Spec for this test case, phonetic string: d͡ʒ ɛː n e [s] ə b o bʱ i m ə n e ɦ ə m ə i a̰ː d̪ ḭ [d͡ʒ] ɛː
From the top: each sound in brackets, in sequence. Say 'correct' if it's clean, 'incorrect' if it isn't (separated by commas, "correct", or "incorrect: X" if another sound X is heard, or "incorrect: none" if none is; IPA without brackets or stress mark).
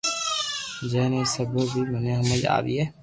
correct, incorrect: none